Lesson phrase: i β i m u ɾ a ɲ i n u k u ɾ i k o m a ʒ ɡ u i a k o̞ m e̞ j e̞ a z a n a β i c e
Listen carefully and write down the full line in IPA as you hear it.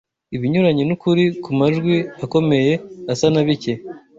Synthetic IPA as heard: i β i ɲ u ɾ a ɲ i n u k u ɾ i k u m a ʒ ɡ w i a k o̞ m e̞ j e̞ a s a n a β i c e